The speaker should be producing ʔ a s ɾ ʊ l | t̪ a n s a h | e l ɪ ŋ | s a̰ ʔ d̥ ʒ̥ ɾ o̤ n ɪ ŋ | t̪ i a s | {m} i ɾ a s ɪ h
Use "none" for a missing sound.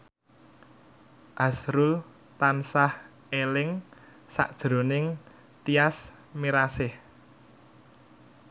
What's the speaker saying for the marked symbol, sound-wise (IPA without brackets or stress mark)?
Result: m